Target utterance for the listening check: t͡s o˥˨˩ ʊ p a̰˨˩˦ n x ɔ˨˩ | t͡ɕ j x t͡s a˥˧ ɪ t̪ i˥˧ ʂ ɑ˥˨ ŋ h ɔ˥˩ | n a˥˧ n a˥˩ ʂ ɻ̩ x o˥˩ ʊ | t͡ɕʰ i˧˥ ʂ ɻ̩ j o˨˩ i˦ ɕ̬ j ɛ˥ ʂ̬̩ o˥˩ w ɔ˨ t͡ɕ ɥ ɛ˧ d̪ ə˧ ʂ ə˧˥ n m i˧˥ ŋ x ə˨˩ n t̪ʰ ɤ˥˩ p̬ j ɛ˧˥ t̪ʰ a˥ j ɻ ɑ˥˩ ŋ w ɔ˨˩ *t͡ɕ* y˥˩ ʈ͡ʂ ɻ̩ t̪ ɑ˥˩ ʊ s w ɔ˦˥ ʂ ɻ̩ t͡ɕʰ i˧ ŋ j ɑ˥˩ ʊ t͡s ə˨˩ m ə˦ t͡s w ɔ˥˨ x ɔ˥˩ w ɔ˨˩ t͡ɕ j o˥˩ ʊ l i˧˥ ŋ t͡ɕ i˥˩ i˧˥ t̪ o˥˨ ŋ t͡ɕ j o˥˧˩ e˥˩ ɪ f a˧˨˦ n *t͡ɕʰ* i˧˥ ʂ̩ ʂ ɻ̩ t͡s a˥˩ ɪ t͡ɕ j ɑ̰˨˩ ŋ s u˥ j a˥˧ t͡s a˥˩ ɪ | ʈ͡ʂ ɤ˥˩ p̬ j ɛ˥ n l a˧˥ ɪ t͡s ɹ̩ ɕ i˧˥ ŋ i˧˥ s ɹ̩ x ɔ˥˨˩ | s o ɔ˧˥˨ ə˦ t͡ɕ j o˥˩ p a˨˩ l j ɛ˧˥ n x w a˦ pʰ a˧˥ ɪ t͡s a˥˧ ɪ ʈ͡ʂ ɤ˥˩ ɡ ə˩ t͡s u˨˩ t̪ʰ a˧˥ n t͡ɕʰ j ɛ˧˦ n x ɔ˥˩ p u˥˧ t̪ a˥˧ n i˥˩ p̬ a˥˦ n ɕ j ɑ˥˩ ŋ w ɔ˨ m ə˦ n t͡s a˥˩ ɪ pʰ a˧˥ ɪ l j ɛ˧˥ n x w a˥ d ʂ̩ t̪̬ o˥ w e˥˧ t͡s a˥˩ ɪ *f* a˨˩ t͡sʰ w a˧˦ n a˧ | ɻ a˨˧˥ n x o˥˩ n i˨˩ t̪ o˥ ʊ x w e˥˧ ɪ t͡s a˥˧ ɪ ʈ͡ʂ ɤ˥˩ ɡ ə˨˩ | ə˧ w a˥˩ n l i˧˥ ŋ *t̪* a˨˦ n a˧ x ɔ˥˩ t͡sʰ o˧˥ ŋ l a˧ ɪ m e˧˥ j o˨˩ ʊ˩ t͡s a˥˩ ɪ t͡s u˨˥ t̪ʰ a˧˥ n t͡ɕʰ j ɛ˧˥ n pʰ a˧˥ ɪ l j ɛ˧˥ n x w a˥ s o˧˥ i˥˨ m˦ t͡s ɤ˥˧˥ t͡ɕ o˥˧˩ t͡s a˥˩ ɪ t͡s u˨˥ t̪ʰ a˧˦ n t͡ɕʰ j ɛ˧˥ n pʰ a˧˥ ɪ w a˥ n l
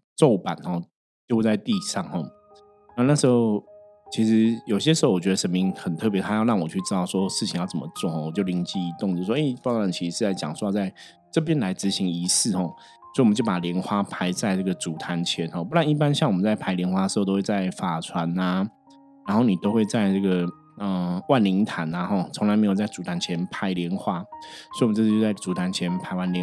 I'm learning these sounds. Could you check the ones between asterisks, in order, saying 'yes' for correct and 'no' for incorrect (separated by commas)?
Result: no, yes, yes, no